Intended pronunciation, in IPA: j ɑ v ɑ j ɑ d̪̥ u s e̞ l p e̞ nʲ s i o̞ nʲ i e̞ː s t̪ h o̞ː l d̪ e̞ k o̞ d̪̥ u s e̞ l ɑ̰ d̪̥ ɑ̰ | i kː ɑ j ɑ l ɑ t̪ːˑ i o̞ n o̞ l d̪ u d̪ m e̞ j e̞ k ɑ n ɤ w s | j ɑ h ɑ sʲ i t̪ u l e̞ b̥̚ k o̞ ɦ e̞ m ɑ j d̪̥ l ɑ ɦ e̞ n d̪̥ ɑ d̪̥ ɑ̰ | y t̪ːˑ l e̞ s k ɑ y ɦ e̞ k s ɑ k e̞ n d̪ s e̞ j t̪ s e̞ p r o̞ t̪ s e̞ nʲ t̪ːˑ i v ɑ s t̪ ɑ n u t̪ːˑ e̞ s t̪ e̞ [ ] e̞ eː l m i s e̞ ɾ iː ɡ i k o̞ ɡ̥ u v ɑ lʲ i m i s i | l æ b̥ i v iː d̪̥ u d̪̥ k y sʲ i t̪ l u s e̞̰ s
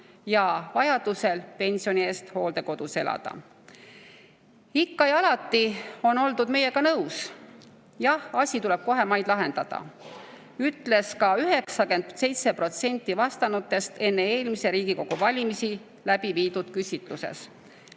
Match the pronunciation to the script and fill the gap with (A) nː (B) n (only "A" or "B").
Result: A